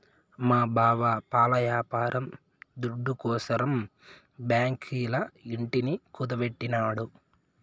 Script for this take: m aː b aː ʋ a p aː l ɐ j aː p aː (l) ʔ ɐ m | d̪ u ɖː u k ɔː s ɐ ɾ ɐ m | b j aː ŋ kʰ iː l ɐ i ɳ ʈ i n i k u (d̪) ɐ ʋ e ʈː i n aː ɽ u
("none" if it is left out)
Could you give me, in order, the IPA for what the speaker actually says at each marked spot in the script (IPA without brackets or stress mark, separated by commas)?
ɾ, d̪